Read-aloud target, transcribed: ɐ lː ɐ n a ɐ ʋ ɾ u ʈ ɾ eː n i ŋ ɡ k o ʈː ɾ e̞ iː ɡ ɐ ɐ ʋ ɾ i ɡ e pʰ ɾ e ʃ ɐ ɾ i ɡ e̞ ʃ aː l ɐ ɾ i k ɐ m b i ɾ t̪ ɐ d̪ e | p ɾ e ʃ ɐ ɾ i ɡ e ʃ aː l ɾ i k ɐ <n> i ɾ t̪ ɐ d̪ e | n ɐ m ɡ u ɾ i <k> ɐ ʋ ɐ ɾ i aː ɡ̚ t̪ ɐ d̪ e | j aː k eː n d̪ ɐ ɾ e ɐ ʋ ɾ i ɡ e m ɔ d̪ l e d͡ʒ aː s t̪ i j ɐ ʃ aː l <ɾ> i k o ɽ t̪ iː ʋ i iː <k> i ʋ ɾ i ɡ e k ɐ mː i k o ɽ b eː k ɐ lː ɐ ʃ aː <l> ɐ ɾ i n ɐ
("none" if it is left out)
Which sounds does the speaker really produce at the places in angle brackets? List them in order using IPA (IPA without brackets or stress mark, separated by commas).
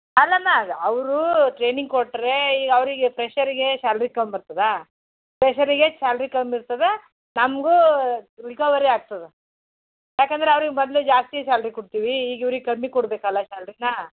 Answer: m, k, ɾ, ɡ, l